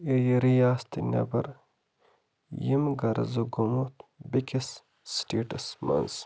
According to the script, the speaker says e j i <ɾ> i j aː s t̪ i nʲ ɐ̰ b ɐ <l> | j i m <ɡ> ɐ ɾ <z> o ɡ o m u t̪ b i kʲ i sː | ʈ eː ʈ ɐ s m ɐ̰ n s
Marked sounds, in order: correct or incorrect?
correct, incorrect, correct, correct

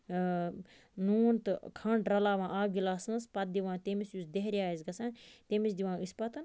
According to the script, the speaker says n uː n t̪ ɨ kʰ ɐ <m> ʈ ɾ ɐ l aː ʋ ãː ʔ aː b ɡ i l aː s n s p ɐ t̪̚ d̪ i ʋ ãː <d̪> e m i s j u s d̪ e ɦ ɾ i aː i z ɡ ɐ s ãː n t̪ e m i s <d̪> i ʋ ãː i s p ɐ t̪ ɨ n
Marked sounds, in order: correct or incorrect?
incorrect, incorrect, correct

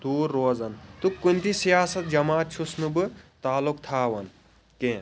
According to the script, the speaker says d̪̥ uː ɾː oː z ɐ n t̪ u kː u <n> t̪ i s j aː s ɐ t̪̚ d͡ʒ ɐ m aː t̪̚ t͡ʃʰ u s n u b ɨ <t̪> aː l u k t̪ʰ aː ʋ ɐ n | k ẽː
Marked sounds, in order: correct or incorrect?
correct, correct

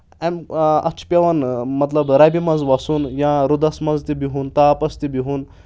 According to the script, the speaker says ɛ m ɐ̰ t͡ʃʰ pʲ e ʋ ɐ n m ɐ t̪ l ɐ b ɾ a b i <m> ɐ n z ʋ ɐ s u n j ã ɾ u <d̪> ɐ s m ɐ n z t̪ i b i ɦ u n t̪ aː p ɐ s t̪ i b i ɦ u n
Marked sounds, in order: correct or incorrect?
correct, correct

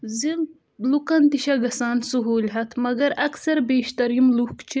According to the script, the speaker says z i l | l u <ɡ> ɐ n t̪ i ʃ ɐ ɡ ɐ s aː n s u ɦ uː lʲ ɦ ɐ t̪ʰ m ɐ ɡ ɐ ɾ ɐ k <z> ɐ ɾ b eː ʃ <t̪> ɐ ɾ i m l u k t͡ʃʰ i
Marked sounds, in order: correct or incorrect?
incorrect, incorrect, correct

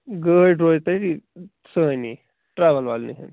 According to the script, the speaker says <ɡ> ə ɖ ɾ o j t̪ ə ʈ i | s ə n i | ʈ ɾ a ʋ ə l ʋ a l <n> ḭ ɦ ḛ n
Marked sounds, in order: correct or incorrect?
correct, correct

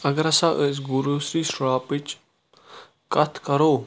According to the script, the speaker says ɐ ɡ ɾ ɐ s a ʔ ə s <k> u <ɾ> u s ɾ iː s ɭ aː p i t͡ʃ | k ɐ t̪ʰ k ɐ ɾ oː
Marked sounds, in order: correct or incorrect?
incorrect, correct

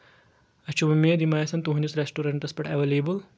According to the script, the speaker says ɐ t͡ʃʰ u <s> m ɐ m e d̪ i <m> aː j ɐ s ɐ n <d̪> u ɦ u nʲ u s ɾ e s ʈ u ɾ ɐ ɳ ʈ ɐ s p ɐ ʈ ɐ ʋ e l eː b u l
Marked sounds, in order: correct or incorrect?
incorrect, correct, incorrect

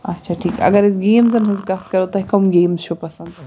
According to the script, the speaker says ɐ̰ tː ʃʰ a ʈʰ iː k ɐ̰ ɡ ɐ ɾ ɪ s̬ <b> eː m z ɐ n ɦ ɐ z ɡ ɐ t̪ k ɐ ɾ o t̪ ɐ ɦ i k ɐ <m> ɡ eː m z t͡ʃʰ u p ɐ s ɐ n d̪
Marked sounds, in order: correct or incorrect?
incorrect, correct

